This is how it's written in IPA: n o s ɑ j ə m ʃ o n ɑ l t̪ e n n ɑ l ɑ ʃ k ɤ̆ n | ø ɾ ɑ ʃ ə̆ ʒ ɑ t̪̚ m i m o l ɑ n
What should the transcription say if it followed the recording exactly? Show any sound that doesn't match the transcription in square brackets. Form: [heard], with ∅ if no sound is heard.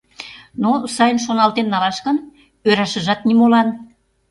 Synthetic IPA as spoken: n o s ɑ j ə [n] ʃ o n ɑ l t̪ e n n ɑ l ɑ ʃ k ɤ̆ n | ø ɾ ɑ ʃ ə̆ ʒ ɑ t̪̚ [n] i m o l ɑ n

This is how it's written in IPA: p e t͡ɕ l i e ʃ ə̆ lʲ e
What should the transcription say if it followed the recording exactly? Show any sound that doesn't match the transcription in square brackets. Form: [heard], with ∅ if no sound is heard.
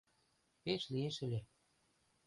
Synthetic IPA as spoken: p e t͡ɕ l i e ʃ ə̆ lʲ e

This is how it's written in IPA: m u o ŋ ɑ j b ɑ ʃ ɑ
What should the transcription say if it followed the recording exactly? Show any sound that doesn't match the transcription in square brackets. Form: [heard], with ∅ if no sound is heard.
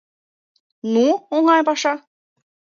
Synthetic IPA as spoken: [n] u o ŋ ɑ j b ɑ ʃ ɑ

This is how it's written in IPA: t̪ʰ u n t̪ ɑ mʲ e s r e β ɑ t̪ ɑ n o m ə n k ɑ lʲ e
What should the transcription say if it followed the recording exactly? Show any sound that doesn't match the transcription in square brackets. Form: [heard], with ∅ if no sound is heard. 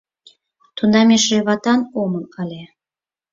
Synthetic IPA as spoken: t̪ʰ u n [d̪] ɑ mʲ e [ʃ] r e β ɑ t̪ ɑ n o m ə n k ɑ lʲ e

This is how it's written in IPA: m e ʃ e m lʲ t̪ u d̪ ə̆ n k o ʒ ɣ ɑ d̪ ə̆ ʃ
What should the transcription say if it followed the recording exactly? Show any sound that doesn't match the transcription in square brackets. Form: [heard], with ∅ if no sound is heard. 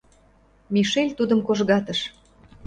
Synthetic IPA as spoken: m [i] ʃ e [∅] lʲ t̪ u d̪ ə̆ [m] k o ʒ ɣ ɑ [t̪] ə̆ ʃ

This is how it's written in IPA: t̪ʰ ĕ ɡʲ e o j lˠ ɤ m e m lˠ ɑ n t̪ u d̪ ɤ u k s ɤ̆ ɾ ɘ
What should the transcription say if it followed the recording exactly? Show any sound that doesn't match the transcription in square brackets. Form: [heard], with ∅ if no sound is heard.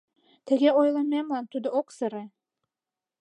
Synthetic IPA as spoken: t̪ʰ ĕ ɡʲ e o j lˠ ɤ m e m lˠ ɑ n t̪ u d̪ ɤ [o] k s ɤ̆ ɾ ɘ

